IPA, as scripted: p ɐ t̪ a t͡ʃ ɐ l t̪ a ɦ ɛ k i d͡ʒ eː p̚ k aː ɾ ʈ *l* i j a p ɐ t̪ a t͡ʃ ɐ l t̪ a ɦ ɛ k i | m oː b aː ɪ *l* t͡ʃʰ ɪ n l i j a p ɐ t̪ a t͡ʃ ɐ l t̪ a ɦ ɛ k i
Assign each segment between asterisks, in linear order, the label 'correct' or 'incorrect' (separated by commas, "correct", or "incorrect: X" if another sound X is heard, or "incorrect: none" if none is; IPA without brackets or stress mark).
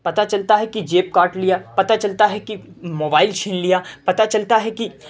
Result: correct, correct